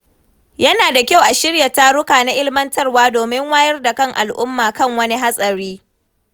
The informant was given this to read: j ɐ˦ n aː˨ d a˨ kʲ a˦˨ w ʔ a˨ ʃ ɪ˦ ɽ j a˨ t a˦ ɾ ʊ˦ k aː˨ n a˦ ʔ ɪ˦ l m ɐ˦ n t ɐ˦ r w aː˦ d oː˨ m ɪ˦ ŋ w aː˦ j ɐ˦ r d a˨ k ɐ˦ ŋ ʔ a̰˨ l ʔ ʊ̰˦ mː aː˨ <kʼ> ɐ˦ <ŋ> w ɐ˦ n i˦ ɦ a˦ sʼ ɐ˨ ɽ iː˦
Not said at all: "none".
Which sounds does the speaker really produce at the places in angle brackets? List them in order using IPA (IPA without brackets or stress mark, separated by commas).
k, ŋ